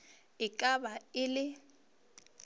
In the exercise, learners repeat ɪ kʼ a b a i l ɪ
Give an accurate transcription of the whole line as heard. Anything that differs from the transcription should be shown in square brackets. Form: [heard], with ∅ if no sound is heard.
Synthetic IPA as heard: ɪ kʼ a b a [ɪ] l ɪ